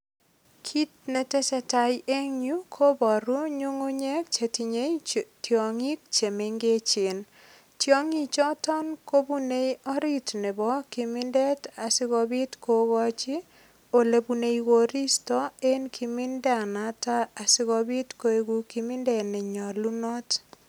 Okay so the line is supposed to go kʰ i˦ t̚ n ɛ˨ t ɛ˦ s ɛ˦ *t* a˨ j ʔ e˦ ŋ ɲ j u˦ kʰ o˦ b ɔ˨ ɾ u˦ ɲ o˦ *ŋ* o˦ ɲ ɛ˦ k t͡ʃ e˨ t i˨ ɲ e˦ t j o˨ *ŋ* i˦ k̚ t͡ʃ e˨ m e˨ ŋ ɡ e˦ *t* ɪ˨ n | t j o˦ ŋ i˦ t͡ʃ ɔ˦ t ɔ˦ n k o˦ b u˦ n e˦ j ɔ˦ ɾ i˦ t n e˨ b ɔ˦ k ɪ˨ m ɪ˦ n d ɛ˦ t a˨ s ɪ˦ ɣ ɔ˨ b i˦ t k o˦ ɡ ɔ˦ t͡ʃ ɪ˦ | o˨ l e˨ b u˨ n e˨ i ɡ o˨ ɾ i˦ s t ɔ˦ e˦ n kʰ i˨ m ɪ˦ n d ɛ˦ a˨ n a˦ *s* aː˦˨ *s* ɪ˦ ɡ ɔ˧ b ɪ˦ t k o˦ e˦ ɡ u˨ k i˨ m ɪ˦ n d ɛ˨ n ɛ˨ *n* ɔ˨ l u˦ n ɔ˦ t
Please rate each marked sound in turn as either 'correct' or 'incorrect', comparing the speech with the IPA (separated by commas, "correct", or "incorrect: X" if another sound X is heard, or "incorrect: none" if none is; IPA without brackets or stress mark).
correct, correct, correct, incorrect: t͡ʃ, incorrect: t, correct, incorrect: ɲ